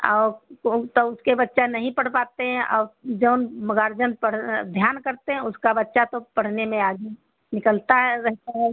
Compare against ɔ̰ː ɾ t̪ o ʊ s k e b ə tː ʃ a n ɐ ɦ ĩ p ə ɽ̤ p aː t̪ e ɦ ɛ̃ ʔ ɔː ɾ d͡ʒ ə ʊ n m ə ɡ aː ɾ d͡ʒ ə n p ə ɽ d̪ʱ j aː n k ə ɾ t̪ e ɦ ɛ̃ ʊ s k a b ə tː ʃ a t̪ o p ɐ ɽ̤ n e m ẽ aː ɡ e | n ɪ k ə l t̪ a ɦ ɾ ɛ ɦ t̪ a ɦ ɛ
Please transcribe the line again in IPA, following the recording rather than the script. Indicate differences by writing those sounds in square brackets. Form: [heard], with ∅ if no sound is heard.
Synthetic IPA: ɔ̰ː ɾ t̪ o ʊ s k e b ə tː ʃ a n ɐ ɦ ĩ p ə ɽ̤ p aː t̪ e ɦ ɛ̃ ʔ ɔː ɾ d͡ʒ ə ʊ n m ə ɡ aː ɾ d͡ʒ ə n p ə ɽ d̪ʱ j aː n k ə ɾ t̪ e ɦ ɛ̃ ʊ s k a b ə tː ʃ a t̪ o p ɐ ɽ̤ n e m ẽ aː ɡ e | n ɪ k ə l t̪ a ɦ ɾ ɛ ɦ t̪ a ɦ ɛ